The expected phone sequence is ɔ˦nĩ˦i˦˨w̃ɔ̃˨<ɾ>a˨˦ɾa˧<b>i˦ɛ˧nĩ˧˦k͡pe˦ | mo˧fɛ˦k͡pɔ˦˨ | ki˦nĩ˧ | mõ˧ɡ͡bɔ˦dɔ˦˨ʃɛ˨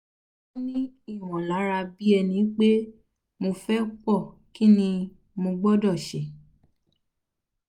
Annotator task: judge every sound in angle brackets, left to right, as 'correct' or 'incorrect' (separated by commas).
incorrect, correct